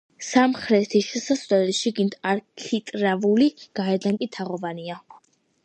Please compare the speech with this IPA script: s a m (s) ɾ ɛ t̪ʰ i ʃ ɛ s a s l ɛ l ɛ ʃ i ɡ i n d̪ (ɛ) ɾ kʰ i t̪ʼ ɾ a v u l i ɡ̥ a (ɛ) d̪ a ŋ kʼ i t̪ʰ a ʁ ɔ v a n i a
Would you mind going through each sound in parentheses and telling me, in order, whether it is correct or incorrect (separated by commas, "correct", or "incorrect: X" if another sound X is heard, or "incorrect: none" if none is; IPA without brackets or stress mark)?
incorrect: χ, incorrect: a, correct